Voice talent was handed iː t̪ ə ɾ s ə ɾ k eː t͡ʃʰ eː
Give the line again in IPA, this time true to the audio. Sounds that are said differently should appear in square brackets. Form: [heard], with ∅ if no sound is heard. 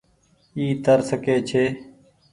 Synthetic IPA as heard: iː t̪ ə ɾ s ə [∅] k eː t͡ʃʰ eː